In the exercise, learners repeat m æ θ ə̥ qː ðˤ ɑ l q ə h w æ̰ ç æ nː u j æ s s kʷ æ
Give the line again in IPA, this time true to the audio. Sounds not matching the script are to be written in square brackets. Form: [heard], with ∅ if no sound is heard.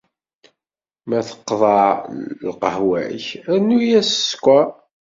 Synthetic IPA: m æ θ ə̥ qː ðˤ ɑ l q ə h w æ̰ ç æ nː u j æ s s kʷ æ